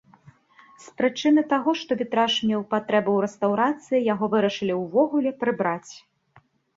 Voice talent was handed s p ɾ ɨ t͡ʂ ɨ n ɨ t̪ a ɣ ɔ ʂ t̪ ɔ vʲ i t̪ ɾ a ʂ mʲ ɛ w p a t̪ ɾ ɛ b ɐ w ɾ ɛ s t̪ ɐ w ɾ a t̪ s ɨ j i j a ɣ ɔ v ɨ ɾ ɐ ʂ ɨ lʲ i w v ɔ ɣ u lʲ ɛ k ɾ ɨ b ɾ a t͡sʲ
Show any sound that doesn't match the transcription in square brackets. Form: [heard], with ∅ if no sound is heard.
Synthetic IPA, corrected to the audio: s p ɾ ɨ t͡ʂ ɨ n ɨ t̪ a ɣ ɔ ʂ t̪ ɔ vʲ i t̪ ɾ a ʂ mʲ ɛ w p a t̪ ɾ ɛ b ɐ w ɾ ɛ s t̪ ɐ w ɾ a t̪ s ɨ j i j a ɣ ɔ v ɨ ɾ ɐ ʂ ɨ lʲ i w v ɔ ɣ u lʲ ɛ [p] ɾ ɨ b ɾ a t͡sʲ